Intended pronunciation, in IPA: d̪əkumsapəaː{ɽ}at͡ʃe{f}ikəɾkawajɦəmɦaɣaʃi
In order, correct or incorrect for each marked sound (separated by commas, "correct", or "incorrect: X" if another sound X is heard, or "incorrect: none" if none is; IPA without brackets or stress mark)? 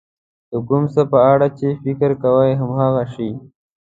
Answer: correct, correct